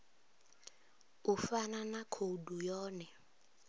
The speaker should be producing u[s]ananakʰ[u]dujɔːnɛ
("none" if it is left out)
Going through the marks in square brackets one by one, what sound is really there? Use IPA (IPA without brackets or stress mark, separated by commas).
f, o